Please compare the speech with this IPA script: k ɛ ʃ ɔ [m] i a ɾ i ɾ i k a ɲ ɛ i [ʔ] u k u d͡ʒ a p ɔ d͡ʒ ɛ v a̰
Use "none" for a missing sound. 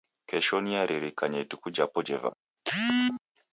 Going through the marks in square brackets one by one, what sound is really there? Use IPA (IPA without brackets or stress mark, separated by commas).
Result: n, t